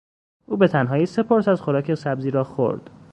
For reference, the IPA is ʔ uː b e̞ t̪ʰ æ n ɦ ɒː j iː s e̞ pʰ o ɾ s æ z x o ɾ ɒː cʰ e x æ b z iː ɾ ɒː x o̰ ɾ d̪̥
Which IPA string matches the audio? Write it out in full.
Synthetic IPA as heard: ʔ uː b e̞ t̪ʰ æ n ɦ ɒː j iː s e̞ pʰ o ɾ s æ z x o ɾ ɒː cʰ e s æ b z iː ɾ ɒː x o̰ ɾ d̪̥